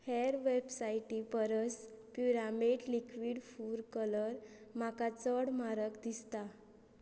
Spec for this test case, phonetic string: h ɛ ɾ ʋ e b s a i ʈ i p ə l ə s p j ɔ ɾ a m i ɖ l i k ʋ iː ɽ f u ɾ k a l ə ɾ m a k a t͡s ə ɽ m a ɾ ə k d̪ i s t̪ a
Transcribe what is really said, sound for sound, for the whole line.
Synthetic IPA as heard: h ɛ ɾ ʋ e b s a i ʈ i p ə ɾ ə s p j u ɾ a m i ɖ l i k ʋ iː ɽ f u ɾ k ə l ə ɾ m a k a t͡s ə ɽ m a ɾ ə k d̪ i s t̪ a

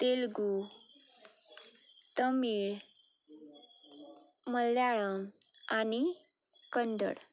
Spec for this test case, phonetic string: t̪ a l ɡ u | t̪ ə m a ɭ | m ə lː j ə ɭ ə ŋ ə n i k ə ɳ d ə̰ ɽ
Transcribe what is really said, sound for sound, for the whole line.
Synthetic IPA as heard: t̪ e l ɡ u | t̪ ə m i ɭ | m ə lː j a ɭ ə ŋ a n i k ə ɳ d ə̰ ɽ

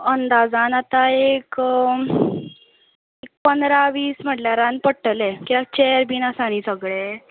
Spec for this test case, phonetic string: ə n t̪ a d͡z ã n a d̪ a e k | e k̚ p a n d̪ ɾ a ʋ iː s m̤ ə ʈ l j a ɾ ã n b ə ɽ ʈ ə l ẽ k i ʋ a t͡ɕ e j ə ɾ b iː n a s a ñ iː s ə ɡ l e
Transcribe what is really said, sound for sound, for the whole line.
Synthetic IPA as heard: ə n d̪ a d͡z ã n a t̪ a e k | e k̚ p ə n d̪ ɾ a ʋ iː s m̤ ə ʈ l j a ɾ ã n p ə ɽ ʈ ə l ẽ k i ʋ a t͡ɕ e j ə ɾ b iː n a s a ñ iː s ə ɡ ɭ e

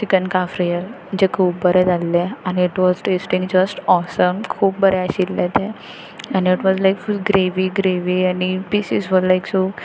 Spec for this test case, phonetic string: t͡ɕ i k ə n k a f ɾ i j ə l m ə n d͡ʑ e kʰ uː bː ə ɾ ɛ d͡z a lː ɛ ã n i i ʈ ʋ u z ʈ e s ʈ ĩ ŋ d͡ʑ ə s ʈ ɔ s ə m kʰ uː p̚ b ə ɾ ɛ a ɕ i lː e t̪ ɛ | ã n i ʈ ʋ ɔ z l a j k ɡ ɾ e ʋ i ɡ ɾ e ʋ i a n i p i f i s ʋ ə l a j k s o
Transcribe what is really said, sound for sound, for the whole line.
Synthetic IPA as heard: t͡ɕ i k ə n k a f ɾ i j ə l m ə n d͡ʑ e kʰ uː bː ə ɾ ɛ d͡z a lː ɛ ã n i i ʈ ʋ ɔ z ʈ e s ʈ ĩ ŋ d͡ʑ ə s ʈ ɔ s ə m kʰ uː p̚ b ə ɾ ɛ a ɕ i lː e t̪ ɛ | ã n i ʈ ʋ ɔ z l a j k ɡ ɾ e ʋ i ɡ ɾ e ʋ i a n i p i s i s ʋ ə l a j k s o

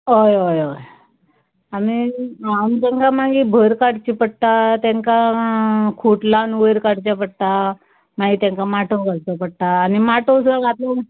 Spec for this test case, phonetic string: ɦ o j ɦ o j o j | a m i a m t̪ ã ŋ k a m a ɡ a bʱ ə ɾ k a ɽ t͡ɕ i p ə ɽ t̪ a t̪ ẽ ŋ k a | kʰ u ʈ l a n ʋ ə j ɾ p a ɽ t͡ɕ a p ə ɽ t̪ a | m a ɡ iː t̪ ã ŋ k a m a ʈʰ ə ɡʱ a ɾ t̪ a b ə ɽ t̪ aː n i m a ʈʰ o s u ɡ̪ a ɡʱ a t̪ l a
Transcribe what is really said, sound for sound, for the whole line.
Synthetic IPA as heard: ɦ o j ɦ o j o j | a m i a m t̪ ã ŋ k a m a ɡ i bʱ ə ɾ k a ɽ t͡ɕ i p ə ɽ t̪ a t̪ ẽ ŋ k a | kʰ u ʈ l a n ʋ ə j ɾ k a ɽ t͡ɕ a p ə ɽ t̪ a | m a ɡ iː t̪ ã ŋ k a m a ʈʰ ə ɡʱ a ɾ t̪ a p ə ɽ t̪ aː n i m a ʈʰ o s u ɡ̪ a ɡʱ a t̪ l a

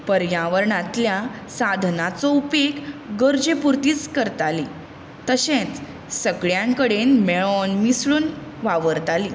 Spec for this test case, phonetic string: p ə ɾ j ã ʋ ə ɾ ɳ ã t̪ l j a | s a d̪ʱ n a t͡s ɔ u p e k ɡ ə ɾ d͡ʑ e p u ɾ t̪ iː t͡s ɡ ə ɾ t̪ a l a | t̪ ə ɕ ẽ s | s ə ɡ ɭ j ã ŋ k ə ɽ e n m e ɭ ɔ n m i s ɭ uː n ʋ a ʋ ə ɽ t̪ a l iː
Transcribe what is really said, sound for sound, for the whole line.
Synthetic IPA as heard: p ə ɾ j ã ʋ ə ɾ ɳ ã t̪ l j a | s a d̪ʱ n a t͡s ɔ u p e k ɡ ə ɾ d͡ʑ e p u ɾ t̪ iː t͡s k ə ɾ t̪ a l i | t̪ ə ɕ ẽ t͡s | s ə ɡ ɭ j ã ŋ k ə ɽ e n m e ɭ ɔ n m i s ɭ uː n ʋ a ʋ ə ɾ t̪ a l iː

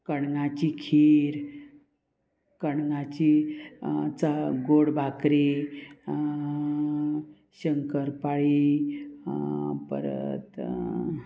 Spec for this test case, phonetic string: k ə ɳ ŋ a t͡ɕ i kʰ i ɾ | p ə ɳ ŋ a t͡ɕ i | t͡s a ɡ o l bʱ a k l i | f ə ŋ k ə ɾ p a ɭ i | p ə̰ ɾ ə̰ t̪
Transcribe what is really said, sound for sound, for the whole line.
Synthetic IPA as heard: k ə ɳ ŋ a t͡ɕ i kʰ i ɾ | k ə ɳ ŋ a t͡ɕ i | t͡s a ɡ o ɽ bʱ a k ɾ i | ɕ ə ŋ k ə ɾ p a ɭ i | p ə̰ ɾ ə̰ t̪

